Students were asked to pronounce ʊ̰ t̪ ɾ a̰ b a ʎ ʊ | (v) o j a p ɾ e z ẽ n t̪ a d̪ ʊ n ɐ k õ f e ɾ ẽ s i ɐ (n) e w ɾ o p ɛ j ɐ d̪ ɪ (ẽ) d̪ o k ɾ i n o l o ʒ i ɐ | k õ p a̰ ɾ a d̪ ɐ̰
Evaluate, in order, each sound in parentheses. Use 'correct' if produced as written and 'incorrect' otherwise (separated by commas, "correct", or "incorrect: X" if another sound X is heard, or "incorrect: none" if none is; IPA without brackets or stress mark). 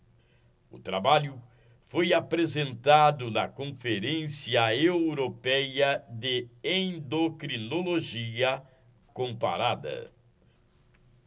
incorrect: f, incorrect: none, correct